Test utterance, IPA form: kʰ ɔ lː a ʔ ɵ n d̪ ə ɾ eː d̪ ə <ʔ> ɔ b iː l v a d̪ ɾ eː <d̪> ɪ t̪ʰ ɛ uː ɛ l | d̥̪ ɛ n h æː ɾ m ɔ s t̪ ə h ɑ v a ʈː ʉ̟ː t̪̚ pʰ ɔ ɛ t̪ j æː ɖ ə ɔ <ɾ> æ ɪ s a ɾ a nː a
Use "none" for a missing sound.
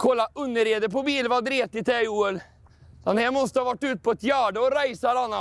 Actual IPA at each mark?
p, t̪, ɾ

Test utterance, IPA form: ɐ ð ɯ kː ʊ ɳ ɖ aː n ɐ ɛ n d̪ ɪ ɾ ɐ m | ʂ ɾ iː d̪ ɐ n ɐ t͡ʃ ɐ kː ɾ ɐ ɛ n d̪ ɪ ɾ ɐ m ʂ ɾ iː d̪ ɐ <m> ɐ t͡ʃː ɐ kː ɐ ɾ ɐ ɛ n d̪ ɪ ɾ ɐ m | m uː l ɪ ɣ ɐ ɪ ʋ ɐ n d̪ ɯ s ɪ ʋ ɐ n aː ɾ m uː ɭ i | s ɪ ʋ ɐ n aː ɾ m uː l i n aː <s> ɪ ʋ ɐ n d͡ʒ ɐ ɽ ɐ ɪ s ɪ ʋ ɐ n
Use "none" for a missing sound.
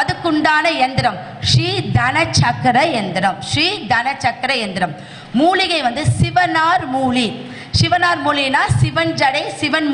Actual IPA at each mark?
n, s

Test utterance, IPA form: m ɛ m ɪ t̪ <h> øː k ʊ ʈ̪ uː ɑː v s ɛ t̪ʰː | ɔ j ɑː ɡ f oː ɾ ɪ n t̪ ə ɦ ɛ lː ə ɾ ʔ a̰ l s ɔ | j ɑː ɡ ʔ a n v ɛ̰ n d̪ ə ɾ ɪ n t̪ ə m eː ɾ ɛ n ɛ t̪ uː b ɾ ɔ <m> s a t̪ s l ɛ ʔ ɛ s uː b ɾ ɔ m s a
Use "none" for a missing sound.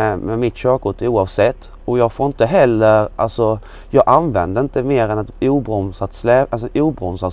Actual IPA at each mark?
ɕ, m

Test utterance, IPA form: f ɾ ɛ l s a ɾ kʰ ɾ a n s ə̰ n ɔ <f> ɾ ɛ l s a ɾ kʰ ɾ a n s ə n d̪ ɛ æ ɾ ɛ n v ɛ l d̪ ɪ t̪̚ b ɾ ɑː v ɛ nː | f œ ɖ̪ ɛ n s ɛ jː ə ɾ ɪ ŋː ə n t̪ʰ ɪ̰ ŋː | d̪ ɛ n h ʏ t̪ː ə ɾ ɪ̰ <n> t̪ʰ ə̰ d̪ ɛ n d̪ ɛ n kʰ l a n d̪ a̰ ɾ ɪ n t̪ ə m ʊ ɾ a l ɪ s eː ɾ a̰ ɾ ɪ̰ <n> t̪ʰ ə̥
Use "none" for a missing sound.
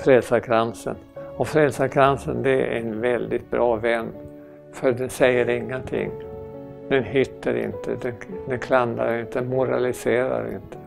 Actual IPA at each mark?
f, n, n

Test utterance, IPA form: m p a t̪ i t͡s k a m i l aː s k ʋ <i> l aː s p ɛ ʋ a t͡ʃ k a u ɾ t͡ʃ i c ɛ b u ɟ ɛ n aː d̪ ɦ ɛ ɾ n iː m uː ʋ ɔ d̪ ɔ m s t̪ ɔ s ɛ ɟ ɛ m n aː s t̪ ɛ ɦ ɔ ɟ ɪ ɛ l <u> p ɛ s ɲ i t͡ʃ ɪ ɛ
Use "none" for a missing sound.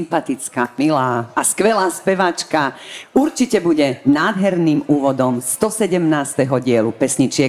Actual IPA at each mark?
ɛ, u

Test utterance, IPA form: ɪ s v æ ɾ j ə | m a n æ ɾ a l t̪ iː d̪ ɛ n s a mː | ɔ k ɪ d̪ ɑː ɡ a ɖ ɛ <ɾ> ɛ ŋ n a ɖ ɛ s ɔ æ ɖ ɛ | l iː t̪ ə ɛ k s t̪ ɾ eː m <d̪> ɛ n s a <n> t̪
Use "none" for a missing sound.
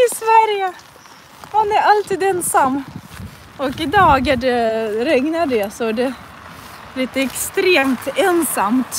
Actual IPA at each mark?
ɾ, t̪, m

